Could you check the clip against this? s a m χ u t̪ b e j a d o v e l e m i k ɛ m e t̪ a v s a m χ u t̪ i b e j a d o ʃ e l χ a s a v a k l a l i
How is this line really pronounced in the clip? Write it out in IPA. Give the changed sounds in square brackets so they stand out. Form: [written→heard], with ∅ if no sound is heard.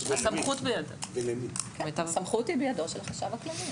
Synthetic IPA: s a m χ u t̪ b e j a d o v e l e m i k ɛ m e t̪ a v s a m χ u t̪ i b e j a d o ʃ e l χ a [s→ʃ] a v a k l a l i